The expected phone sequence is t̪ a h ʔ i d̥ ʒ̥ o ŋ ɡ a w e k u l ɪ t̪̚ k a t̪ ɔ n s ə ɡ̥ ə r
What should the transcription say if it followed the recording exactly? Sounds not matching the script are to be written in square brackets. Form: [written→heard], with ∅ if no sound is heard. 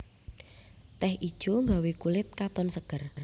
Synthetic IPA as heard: t̪ [a→ɛ] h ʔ i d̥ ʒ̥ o ŋ ɡ a w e k u l ɪ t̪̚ k a t̪ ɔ n s ə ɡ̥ ə r